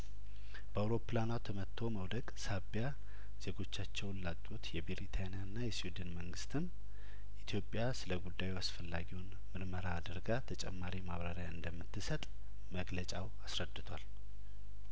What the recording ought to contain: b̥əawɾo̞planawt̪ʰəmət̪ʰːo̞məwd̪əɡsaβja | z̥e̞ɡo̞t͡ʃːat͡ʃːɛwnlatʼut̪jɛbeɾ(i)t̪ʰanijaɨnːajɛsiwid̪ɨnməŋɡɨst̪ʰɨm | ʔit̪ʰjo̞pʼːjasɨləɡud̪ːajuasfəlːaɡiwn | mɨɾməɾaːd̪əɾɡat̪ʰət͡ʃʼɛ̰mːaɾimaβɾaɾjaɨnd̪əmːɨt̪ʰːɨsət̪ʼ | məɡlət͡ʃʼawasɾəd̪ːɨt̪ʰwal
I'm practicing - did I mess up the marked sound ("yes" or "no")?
no